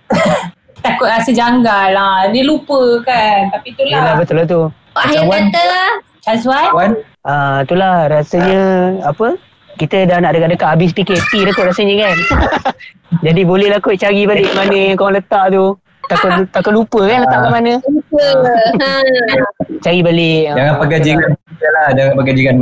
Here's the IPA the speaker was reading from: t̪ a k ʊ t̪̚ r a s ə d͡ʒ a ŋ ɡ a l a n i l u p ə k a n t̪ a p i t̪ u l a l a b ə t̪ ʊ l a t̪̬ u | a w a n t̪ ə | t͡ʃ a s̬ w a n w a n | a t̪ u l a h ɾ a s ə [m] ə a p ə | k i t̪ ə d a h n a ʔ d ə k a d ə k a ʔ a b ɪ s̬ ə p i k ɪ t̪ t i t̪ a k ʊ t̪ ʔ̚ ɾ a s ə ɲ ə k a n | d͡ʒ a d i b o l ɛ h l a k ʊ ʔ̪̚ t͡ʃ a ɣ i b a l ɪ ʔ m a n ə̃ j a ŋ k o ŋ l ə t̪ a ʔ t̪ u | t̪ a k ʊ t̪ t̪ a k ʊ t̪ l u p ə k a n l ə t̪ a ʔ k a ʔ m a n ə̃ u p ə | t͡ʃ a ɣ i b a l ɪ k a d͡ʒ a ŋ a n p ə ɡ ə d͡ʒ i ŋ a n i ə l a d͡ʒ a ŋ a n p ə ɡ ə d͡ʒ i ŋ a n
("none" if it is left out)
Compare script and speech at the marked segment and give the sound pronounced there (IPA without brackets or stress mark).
ɲ